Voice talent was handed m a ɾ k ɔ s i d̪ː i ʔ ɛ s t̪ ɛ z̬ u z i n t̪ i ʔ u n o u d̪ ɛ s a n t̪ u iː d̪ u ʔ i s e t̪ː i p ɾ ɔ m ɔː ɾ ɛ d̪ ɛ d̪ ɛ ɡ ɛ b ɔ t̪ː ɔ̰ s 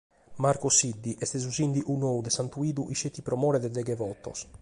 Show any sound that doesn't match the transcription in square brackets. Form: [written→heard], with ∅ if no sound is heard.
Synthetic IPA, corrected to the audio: m a ɾ k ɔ s i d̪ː i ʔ ɛ s t̪ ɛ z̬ u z i n [t̪→d̪] i ʔ u n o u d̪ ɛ s a n t̪ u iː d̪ u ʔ i [s→ʃ] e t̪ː i p ɾ ɔ m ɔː ɾ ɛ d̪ ɛ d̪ ɛ ɡ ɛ [b→v] ɔ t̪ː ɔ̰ s